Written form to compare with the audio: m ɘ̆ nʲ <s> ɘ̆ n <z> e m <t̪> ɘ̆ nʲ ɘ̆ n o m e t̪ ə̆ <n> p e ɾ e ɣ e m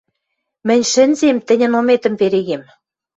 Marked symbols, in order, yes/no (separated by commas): no, yes, yes, no